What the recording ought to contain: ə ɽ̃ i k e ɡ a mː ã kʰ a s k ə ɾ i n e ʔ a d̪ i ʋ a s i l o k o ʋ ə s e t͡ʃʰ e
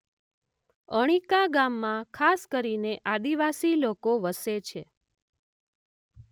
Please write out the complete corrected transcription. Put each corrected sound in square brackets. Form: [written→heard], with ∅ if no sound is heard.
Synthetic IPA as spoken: ə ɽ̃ i k [e→a] ɡ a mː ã kʰ a s k ə ɾ i n e ʔ a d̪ i ʋ a s i l o k o ʋ ə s e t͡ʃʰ e